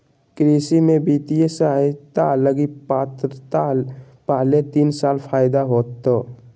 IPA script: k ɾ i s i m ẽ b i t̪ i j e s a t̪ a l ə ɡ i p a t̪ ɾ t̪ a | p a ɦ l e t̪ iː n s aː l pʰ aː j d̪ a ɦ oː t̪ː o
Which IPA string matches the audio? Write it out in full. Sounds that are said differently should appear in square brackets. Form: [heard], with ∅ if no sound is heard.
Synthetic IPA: k ɾ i s i m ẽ b i t̪ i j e s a t̪ a l ə ɡ i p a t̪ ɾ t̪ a | p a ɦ l e t̪ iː n s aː l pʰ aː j d̪ a ɦ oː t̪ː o